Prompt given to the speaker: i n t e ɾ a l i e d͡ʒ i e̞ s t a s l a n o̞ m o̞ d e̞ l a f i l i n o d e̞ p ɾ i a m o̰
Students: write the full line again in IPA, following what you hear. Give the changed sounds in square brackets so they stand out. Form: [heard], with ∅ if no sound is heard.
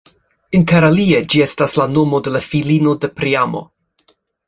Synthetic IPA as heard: i n t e ɾ a l i e d͡ʒ i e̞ s t a s l a n o̞ m o̞ d e̞ l a f i l i n o d e̞ p ɾ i a m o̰